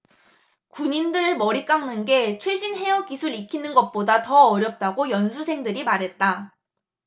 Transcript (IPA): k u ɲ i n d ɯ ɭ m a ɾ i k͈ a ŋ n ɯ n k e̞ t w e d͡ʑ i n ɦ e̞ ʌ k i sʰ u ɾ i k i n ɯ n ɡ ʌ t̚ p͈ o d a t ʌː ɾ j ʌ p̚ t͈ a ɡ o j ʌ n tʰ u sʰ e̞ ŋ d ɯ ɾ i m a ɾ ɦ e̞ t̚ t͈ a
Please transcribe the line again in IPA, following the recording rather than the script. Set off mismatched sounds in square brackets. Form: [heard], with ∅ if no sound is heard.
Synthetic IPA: k u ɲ i n d ɯ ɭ m [ʌ] ɾ i k͈ a ŋ n ɯ n [ɡ] e̞ [t͡ɕʰ] w e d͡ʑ i n ɦ e̞ ʌ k i sʰ u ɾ i [kʰ] i n ɯ n ɡ ʌ t̚ p͈ o d a t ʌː ɾ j ʌ p̚ t͈ a ɡ o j ʌ n [sʰ] u sʰ e̞ ŋ d ɯ ɾ i m a ɾ ɦ e̞ t̚ t͈ a

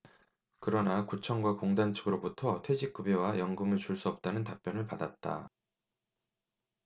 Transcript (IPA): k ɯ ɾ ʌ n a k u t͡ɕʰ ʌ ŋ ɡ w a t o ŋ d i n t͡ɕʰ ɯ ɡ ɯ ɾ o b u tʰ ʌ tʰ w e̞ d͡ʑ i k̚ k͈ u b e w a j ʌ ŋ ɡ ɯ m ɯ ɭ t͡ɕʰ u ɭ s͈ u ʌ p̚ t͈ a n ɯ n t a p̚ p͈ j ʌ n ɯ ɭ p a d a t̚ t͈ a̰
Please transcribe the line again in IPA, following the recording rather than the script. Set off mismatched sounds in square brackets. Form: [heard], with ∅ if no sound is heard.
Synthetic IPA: k ɯ ɾ ʌ n a k u t͡ɕʰ ʌ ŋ ɡ w a [k] o ŋ d [a] n t͡ɕʰ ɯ ɡ ɯ ɾ o b u tʰ ʌ tʰ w e̞ d͡ʑ i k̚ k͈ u b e w a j ʌ ŋ ɡ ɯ m ɯ ɭ [t͡ɕ] u ɭ s͈ u ʌ p̚ t͈ a n ɯ n t a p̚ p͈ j ʌ n ɯ ɭ p a d a t̚ t͈ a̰

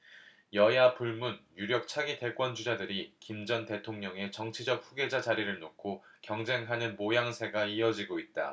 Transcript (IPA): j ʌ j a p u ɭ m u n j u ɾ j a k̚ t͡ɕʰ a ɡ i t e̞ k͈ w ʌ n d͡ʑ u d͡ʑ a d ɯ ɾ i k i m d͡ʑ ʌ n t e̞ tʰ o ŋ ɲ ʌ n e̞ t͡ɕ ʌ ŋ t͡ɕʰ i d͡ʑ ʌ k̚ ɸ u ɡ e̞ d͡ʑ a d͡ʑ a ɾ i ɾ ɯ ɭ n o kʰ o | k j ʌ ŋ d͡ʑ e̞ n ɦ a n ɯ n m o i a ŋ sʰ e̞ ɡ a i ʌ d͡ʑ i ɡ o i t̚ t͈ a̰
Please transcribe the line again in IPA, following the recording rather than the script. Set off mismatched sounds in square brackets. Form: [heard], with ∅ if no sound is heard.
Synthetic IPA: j ʌ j a p u ɭ m u n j u ɾ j [ʌ] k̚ t͡ɕʰ a ɡ i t e̞ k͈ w ʌ n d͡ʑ u d͡ʑ a d ɯ ɾ i k i m d͡ʑ ʌ n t e̞ tʰ o ŋ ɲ ʌ [ŋ] e̞ t͡ɕ ʌ ŋ t͡ɕʰ i d͡ʑ ʌ k̚ ɸ u ɡ e̞ d͡ʑ a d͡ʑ a ɾ i ɾ ɯ ɭ n o kʰ o | k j ʌ ŋ d͡ʑ e̞ [ŋ] ɦ a n ɯ n m o [j] a ŋ sʰ e̞ ɡ a i ʌ d͡ʑ i ɡ o i t̚ t͈ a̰

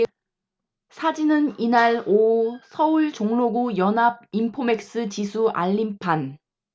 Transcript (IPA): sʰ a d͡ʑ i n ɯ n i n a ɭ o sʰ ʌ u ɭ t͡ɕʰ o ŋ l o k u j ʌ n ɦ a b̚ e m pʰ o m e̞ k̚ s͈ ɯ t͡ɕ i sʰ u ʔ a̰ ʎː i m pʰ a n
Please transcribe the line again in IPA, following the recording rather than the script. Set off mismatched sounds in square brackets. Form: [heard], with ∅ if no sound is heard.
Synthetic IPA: sʰ a d͡ʑ i n ɯ n i n a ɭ o sʰ ʌ u ɭ [t͡ɕ] o ŋ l o [ɡ] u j ʌ n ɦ a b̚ [i] m pʰ o m e̞ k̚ s͈ ɯ t͡ɕ i sʰ u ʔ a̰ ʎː i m pʰ a n

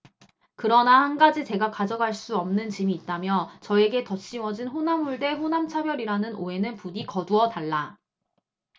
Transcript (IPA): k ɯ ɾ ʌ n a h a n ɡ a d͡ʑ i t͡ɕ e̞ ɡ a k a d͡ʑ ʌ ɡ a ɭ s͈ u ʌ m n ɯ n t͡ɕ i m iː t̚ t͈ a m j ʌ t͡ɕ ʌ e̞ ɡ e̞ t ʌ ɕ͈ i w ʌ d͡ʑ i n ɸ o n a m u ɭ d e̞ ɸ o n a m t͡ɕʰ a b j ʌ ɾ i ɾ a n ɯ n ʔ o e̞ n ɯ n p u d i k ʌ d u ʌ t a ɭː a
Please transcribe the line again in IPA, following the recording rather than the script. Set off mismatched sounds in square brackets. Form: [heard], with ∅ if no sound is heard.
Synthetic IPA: k ɯ ɾ ʌ n a h a n ɡ a d͡ʑ i t͡ɕ e̞ ɡ a k a d͡ʑ ʌ ɡ a ɭ s͈ u ʌ m n ɯ n t͡ɕ i m iː t̚ t͈ a m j ʌ t͡ɕ ʌ e̞ ɡ e̞ t ʌ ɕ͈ i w ʌ d͡ʑ i n ɸ o n a m u ɭ d e̞ ɸ o n a m t͡ɕʰ a b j ʌ ɾ i ɾ a n ɯ n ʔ o e̞ n ɯ n p u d i k ʌ d u ʌ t a ɭː a

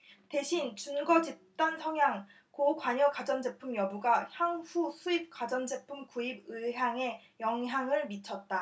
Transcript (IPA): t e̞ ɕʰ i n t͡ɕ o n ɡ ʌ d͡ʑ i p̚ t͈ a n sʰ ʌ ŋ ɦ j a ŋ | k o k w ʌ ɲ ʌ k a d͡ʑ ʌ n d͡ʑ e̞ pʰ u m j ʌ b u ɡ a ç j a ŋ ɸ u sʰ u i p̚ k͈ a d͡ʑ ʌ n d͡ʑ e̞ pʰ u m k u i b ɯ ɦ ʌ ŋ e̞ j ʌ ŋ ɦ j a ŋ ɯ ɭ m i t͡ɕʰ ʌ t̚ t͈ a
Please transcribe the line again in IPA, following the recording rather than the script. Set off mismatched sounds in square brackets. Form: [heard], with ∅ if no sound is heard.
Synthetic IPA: t e̞ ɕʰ i n t͡ɕ [u] n ɡ ʌ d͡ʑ i p̚ t͈ a n sʰ ʌ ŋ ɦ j a ŋ | k o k w [a] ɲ ʌ k a d͡ʑ ʌ n d͡ʑ e̞ pʰ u m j ʌ b u ɡ a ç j a ŋ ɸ u sʰ u i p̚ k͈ a d͡ʑ ʌ n d͡ʑ e̞ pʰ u m k u i b ɯ ɦ [a] ŋ e̞ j ʌ ŋ ɦ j a ŋ ɯ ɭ m i t͡ɕʰ ʌ t̚ t͈ a

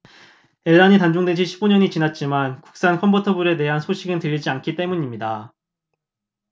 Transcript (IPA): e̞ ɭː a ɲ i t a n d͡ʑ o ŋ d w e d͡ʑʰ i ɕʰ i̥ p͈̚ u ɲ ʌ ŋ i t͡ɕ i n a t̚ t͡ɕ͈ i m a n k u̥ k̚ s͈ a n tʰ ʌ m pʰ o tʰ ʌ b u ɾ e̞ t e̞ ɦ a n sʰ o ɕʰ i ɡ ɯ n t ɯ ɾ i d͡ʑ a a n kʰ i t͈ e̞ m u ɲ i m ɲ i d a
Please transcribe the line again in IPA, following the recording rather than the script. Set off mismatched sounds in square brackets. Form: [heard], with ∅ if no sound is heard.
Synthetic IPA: e̞ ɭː a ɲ i t a n d͡ʑ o ŋ d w e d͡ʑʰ i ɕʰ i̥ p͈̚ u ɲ ʌ [ɲ] i t͡ɕ i n a t̚ t͡ɕ͈ i m a n k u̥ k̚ s͈ a n [kʰ] ʌ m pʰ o tʰ ʌ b u ɾ e̞ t e̞ ɦ a n sʰ o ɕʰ i ɡ ɯ n t ɯ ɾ i d͡ʑ [i] a n kʰ i t͈ e̞ m u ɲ i m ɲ i d a

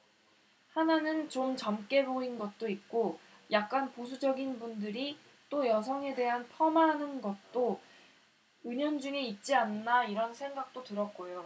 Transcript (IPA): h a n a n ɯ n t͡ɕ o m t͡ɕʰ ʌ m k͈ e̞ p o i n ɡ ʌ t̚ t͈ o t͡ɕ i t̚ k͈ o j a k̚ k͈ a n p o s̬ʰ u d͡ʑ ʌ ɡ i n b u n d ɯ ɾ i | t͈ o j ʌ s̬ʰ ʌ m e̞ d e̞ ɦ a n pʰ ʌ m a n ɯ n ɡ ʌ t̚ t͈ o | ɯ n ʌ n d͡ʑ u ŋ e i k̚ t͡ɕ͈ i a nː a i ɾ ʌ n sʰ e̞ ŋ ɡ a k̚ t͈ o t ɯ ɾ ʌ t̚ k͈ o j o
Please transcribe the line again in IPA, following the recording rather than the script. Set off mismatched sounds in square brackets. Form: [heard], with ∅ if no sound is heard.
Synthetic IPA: h a n a n ɯ n t͡ɕ o m [t͡ɕ] ʌ m k͈ e̞ [b] o i n ɡ ʌ t̚ t͈ o [∅] i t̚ k͈ o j a k̚ k͈ a n p o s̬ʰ u d͡ʑ ʌ ɡ i n b u n d ɯ ɾ i | t͈ o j ʌ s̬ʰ ʌ [ŋ] e̞ d e̞ ɦ a n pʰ ʌ m a n ɯ n ɡ ʌ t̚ t͈ o | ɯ [ɲ] ʌ n d͡ʑ u ŋ e i [t̚] t͡ɕ͈ i a nː a i ɾ ʌ n sʰ e̞ ŋ ɡ a k̚ t͈ o t ɯ ɾ ʌ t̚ k͈ o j o

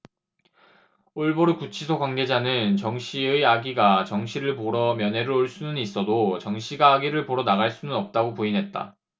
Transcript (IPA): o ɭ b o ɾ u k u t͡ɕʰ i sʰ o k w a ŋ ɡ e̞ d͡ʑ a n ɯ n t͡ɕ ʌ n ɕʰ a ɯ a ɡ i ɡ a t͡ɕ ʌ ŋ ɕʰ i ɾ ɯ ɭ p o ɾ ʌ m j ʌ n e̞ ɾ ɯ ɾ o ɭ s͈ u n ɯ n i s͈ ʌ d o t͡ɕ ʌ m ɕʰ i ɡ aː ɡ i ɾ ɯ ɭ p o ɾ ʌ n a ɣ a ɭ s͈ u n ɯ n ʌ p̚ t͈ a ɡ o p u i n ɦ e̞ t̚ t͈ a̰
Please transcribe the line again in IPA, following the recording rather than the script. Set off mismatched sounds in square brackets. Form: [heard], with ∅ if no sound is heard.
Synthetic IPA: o ɭ b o ɾ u k u t͡ɕʰ i sʰ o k w a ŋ ɡ e̞ d͡ʑ a n ɯ n t͡ɕ ʌ [ŋ] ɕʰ [i] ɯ a ɡ i ɡ a t͡ɕ ʌ ŋ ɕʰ i ɾ ɯ ɭ p o ɾ ʌ m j ʌ n e̞ ɾ ɯ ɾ o ɭ s͈ u n ɯ n i s͈ ʌ d o t͡ɕ ʌ [ŋ] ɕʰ i ɡ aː ɡ i ɾ ɯ ɭ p o ɾ ʌ n a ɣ a ɭ s͈ u n ɯ n ʌ p̚ t͈ a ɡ o p u i n ɦ e̞ t̚ t͈ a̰

